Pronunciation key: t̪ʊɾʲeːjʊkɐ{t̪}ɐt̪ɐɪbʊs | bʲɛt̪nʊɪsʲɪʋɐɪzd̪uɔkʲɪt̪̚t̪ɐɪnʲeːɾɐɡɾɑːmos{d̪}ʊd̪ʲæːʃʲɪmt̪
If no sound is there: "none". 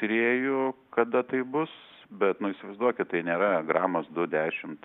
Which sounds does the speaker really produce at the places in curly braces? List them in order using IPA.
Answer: d̪, d̪

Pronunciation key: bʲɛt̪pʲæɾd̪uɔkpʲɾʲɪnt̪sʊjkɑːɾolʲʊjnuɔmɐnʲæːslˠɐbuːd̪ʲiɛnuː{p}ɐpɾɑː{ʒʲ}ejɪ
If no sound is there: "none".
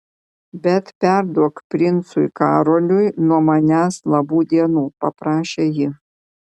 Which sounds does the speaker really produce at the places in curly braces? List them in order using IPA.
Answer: p, ʃʲ

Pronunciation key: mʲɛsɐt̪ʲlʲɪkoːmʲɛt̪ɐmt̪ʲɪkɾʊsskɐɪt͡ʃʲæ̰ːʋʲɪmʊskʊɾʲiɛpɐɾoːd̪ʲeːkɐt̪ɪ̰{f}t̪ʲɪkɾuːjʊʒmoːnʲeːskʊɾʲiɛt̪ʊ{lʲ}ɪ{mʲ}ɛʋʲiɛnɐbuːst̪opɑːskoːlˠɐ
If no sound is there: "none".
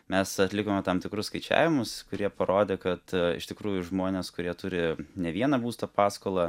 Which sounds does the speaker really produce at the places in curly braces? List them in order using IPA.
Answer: ʃ, ɾʲ, nʲ

